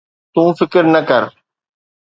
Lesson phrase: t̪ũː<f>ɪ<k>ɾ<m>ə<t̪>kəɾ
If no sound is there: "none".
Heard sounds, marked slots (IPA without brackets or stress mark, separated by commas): f, k, n, none